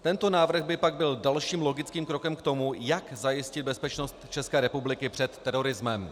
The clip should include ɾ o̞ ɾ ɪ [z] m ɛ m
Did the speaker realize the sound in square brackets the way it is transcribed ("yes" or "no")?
yes